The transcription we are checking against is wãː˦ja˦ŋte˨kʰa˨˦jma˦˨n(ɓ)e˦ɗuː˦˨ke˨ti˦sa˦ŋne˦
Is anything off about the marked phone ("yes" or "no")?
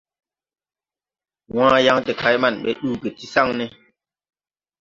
no